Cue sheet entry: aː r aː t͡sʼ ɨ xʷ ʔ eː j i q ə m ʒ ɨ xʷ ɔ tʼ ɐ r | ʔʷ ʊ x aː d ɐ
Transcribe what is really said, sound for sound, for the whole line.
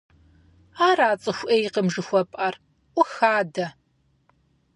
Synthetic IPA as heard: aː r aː t͡sʼ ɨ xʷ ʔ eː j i q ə m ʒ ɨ xʷ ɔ pʼ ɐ r | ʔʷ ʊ x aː d ɐ